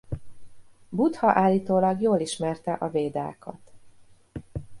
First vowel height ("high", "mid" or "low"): high